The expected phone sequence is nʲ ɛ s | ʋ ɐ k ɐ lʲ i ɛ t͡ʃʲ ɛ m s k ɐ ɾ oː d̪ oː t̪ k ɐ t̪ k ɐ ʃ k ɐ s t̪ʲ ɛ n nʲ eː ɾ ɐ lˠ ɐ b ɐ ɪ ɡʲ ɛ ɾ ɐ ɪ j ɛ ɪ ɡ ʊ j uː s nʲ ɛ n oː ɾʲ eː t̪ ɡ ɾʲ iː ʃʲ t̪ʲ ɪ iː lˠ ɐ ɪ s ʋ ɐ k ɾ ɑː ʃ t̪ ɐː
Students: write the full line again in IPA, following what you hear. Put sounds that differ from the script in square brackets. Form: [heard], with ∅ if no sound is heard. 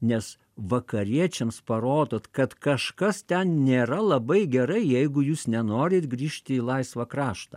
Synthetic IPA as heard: nʲ ɛ s | ʋ ɐ k ɐ [ɾʲ] i ɛ t͡ʃʲ ɛ m s [p] ɐ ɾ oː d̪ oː t̪ k ɐ t̪ k ɐ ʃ k ɐ s t̪ʲ ɛ n nʲ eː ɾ ɐ lˠ ɐ b ɐ ɪ ɡʲ ɛ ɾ ɐ ɪ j ɛ ɪ ɡ ʊ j uː s nʲ ɛ n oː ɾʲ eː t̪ ɡ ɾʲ iː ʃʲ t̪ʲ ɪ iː lˠ ɐ ɪ s ʋ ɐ k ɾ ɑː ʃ t̪ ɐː